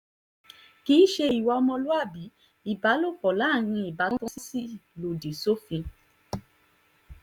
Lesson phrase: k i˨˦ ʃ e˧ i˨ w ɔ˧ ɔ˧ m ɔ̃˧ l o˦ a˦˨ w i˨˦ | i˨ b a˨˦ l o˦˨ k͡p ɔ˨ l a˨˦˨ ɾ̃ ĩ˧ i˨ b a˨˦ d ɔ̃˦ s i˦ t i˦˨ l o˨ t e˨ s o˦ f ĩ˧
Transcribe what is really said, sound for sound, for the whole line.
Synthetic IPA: k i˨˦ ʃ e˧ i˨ w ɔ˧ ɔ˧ m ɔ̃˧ l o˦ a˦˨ b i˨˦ | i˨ b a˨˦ l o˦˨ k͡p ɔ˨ l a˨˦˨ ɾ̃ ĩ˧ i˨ b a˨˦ t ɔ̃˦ s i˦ s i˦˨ l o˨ d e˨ s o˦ f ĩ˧